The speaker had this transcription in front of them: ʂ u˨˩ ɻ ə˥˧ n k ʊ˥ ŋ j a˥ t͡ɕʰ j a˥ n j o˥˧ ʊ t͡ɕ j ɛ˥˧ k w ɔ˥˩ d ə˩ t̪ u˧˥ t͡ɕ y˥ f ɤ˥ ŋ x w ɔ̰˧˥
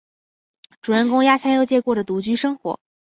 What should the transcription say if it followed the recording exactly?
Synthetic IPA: ʈ͡ʂ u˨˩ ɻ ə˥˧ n k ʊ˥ ŋ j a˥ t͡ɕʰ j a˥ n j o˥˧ ʊ t͡ɕ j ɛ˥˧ k w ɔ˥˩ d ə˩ t̪ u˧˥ t͡ɕ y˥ ʂ ɤ˥ ŋ x w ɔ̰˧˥